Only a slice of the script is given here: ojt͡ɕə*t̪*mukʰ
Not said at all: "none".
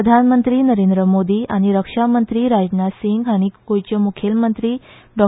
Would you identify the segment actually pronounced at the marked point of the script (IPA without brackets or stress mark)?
none